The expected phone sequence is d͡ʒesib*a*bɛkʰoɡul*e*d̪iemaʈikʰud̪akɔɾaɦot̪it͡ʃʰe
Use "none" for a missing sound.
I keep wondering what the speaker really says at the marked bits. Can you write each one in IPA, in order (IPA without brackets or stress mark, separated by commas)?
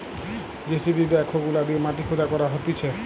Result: i, a